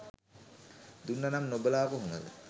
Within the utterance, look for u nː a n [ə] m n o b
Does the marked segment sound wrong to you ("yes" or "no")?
yes